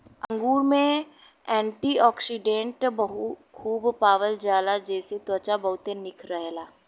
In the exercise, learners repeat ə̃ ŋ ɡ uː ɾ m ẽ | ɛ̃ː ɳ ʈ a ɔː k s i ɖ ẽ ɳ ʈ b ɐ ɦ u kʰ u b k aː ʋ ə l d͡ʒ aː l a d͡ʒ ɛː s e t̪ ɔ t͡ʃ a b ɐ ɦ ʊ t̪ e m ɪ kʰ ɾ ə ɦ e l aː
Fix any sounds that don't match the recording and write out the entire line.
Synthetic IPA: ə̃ ŋ ɡ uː ɾ m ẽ | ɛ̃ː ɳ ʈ i ɔː k s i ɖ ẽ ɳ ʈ b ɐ ɦ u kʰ uː b p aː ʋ ə l d͡ʒ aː l a d͡ʒ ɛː s e t̪ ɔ t͡ʃ a b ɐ ɦ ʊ t̪ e n ɪ kʰ ɾ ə ɦ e l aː